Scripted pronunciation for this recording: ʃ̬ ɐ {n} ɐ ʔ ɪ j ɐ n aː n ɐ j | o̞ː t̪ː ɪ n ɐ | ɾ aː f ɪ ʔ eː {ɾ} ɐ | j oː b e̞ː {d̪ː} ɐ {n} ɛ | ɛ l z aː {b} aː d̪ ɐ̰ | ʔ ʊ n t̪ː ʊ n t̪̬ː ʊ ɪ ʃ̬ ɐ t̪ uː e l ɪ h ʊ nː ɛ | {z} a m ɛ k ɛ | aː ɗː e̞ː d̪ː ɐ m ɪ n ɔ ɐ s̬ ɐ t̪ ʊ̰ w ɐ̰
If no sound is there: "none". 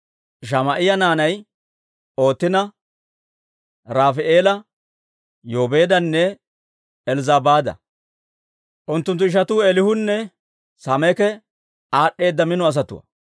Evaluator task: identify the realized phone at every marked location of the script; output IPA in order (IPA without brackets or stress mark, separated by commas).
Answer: m, l, d̪, nː, b, s